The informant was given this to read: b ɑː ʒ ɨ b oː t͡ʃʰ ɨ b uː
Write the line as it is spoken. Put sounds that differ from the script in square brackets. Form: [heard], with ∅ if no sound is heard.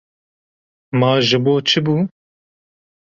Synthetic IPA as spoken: [m] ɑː ʒ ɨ b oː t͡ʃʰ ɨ b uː